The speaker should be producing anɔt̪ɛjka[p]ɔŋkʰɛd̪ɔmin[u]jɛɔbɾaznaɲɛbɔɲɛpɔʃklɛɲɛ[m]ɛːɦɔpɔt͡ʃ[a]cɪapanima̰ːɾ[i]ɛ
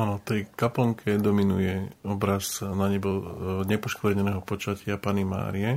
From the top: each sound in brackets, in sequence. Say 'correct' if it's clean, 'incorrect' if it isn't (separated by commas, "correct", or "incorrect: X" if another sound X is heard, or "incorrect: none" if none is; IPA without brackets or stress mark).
correct, correct, incorrect: n, correct, correct